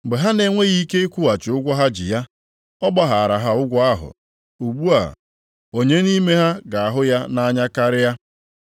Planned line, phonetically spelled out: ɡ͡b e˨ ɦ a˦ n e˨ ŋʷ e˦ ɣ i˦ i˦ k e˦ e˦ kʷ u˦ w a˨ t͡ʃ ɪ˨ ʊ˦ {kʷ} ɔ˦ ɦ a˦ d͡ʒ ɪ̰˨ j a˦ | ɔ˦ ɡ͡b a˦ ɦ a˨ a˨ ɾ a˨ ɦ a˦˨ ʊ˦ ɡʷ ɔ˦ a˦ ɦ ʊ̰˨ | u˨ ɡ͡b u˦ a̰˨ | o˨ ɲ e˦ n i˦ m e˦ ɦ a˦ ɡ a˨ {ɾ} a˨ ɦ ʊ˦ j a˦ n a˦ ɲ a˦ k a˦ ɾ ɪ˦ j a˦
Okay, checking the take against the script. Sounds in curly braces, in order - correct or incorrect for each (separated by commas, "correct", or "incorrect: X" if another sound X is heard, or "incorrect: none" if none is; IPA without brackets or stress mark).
incorrect: ɡʷ, incorrect: none